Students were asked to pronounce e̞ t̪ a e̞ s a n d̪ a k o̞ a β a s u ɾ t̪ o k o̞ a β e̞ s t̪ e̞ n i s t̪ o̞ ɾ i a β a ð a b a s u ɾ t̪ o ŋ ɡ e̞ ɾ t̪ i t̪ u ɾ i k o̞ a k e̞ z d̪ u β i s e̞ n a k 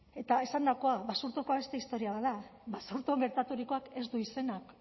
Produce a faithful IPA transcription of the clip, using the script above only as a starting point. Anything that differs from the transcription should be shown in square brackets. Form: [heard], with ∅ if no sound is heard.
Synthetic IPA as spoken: e̞ t̪ a e̞ s a n d̪ a k o̞ a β a s u ɾ t̪ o k o̞ a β e̞ s t̪ e̞ [∅] i s t̪ o̞ ɾ i a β a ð a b a s u ɾ t̪ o ŋ ɡ e̞ ɾ t̪ [a] t̪ u ɾ i k o̞ a k e̞ z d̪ u [∅] i s e̞ n a k

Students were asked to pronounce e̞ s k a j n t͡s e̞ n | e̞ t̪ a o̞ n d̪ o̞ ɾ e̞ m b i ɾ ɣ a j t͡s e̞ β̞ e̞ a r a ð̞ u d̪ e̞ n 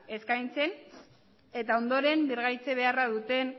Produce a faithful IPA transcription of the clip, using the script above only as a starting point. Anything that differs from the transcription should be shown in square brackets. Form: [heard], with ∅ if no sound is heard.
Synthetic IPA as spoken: e̞ s k a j n t͡s e̞ n | e̞ t̪ a o̞ n d̪ o̞ ɾ e̞ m b i ɾ ɣ a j t͡s e̞ β̞ e̞ a r a ð̞ u [t̪] e̞ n

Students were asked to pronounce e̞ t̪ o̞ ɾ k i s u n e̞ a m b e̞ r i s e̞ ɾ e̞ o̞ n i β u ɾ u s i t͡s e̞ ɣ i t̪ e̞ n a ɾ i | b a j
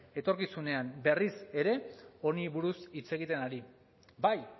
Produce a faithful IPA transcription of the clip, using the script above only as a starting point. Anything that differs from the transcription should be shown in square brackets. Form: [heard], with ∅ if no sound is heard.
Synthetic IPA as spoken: e̞ t̪ o̞ ɾ k i s u n e̞ a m b e̞ r i s e̞ ɾ e̞ o̞ n i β u ɾ u s i t͡s e̞ ɣ i t̪ e̞ n a ɾ i | b a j

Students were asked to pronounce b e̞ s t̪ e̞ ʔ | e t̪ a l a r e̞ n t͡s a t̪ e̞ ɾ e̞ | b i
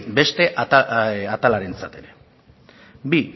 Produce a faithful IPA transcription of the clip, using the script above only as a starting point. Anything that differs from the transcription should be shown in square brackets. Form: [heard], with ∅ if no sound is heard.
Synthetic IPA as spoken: b e̞ s t̪ e̞ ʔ | [a] t̪ a l a [ɾ] e̞ n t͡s a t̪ e̞ ɾ e̞ | b i

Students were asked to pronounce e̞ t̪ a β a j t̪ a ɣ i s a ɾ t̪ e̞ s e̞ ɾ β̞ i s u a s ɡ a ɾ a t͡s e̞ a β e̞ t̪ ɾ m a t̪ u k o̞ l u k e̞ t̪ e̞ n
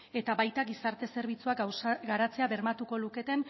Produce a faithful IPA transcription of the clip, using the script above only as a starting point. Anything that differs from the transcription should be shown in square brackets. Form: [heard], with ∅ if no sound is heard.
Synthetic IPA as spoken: e̞ t̪ a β a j t̪ a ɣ i s a ɾ t̪ e̞ s e̞ ɾ β̞ i [t͡s] u a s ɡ a ɾ a t͡s e̞ a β e̞ [∅] ɾ m a t̪ u k o̞ l u k e̞ t̪ e̞ n

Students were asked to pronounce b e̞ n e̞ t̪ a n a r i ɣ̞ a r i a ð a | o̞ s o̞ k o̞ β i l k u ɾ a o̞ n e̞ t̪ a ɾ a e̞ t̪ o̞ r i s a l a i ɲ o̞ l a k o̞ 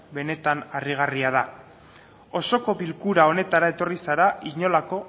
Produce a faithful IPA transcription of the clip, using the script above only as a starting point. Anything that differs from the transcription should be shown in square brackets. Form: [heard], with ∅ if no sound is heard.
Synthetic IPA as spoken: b e̞ n e̞ t̪ a n a r i ɣ̞ a r i a ð a | o̞ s o̞ k o̞ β i l k u ɾ a o̞ n e̞ t̪ a ɾ a e̞ t̪ o̞ r i s a [ɾ] a i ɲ o̞ l a k o̞

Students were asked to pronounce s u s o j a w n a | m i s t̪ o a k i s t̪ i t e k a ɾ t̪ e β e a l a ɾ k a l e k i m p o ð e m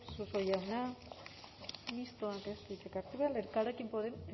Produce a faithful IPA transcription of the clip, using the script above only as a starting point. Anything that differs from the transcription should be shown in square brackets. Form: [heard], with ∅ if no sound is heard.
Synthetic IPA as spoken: s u s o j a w n a | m i s t̪ o a k [e] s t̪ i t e k a ɾ t̪ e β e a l [e] ɾ k a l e k i m p o ð e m

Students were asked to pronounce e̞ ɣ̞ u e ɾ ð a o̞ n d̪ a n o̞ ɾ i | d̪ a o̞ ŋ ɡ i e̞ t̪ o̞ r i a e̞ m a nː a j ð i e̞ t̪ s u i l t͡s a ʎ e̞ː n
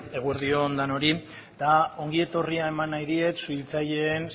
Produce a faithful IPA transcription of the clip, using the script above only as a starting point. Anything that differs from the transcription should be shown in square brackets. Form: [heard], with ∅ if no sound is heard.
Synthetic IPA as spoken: e̞ ɣ̞ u e ɾ ð [i] o̞ n d̪ a n o̞ ɾ i | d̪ a o̞ ŋ ɡ i e̞ t̪ o̞ r i a e̞ m a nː a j ð i e̞ t̪ s u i l t͡s a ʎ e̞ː n

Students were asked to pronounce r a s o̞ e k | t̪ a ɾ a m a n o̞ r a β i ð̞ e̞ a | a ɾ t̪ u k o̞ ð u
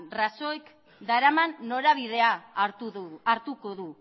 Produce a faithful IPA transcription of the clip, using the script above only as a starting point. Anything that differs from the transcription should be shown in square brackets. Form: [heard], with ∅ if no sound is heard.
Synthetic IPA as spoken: r a s o̞ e k | [d̪] a ɾ a m a [nː] o̞ [ɾ] a β i ð̞ e̞ a | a ɾ t̪ u k o̞ ð u

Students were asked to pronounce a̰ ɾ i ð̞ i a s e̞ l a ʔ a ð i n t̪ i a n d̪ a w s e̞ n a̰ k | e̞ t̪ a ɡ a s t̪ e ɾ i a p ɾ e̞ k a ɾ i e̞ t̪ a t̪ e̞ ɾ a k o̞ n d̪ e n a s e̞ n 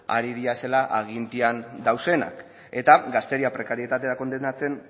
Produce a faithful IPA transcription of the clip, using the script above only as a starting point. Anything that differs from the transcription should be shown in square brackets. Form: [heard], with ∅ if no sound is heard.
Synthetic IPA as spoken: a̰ ɾ i ð̞ i a s e̞ l a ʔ a [ɣ] i n t̪ i a n d̪ a w s e̞ n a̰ k | e̞ t̪ a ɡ a s t̪ e ɾ i a p ɾ e̞ k a ɾ i e̞ t̪ a t̪ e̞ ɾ a k o̞ n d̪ e n a [t͡s] e̞ n

